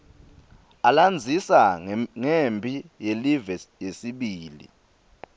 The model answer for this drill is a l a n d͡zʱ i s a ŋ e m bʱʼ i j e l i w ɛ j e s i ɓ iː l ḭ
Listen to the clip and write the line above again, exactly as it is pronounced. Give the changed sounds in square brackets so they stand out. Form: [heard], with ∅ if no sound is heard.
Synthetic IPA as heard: a l a n d͡zʱ i s a ŋ e m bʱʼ i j e l i [v] ɛ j e s i ɓ iː l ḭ